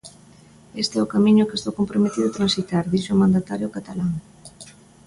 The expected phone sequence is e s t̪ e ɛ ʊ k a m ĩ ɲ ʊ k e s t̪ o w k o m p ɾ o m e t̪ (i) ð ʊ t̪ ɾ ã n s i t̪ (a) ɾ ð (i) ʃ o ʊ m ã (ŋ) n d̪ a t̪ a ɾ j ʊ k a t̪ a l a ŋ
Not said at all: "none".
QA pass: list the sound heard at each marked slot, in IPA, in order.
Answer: i, a, i, none

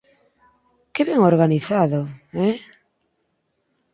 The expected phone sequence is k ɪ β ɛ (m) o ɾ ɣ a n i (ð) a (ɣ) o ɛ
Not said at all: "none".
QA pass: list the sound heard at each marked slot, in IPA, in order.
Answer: ŋ, θ, ð

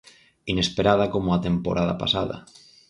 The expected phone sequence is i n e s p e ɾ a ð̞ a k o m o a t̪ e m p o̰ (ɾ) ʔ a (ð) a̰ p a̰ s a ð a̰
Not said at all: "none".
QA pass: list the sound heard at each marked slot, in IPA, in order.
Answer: ɾ, ð

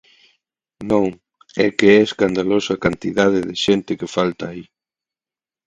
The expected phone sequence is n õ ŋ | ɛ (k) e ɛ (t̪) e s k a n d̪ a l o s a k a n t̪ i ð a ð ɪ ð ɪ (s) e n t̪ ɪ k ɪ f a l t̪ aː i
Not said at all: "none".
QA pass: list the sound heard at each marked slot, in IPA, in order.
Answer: k, none, ʃ

